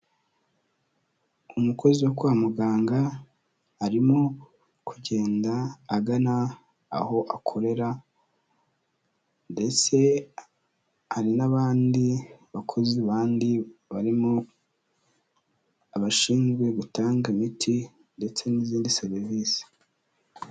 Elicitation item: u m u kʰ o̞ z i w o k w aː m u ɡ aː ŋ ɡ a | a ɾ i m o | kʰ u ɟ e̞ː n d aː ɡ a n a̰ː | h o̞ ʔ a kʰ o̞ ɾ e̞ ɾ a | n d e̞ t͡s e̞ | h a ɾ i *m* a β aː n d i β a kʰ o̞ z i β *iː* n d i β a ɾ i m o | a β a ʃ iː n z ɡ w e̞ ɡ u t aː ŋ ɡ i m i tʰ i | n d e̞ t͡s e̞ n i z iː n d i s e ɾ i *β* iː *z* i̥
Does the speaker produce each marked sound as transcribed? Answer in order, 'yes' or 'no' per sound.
no, no, no, no

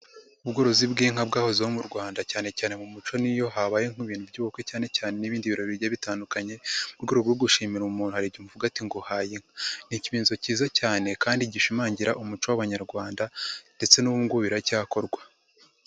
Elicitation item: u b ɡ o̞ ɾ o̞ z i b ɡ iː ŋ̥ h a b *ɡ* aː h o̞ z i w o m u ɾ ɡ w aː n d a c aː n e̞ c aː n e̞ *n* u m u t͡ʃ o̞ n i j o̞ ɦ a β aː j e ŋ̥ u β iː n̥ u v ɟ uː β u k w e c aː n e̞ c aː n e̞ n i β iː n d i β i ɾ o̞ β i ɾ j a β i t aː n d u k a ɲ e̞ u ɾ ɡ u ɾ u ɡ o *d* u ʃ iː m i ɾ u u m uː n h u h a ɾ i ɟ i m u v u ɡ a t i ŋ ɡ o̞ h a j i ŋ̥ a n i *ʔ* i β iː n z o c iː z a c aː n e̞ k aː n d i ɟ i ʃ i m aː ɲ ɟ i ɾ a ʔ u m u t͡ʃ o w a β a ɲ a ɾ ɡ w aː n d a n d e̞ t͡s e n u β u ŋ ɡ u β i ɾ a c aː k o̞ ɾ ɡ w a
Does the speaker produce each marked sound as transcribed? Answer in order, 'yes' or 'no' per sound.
yes, no, no, no

